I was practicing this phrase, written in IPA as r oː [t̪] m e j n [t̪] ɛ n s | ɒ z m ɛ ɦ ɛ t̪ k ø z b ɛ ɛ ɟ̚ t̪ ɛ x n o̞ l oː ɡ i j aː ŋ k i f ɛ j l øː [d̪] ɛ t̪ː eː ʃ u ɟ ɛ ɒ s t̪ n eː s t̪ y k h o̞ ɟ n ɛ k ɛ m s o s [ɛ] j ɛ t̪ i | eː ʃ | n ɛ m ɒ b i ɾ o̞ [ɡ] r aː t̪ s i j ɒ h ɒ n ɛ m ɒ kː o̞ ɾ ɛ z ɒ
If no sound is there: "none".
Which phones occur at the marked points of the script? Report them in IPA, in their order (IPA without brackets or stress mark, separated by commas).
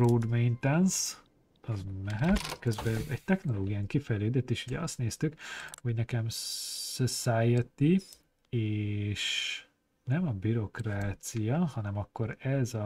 d̪, t̪, d̪, a, k